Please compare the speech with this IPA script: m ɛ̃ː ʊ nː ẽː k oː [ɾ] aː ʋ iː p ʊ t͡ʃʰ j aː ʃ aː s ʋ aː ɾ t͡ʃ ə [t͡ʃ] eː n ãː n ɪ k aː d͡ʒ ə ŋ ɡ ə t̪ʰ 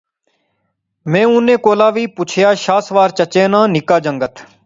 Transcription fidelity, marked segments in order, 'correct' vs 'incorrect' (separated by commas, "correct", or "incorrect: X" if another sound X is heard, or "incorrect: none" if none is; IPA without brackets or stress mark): incorrect: l, correct